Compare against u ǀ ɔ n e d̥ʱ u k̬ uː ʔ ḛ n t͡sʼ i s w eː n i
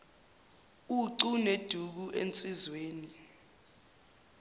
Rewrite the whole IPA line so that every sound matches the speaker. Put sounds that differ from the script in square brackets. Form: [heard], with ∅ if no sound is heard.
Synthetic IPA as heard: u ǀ [u] n e d̥ʱ u k̬ [u] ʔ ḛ n t͡sʼ i [z] w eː n i

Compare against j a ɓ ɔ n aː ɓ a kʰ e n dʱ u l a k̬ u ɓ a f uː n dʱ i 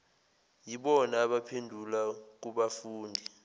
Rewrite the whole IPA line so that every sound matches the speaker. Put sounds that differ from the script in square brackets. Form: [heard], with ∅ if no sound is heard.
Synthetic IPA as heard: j [i] ɓ ɔ n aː ɓ a [pʰ] e n dʱ u l a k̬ u ɓ a f uː n dʱ i

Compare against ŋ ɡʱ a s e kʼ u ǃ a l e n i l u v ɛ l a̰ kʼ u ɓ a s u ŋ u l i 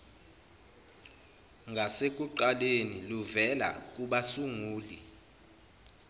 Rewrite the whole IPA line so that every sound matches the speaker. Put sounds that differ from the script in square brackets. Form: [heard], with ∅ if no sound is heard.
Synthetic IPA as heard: ŋ ɡʱ a s e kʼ u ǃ a l e n i l u v ɛ l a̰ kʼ u ɓ a s u ŋ [uː] l i

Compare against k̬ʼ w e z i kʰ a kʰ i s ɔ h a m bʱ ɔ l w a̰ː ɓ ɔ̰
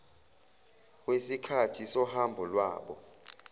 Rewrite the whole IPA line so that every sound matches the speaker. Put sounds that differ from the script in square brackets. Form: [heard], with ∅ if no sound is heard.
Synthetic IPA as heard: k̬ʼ w e [s] i kʰ a [tʰ] i s ɔ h a m bʱ ɔ l w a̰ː ɓ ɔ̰

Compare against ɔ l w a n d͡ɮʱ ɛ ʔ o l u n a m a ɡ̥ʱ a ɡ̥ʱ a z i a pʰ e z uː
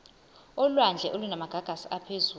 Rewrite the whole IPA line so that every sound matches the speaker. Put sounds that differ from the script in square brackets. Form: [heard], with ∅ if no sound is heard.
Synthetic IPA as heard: ɔ l w a n d͡ɮʱ ɛ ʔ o l u n a m a ɡ̥ʱ a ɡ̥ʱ a [s] i a pʰ e z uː

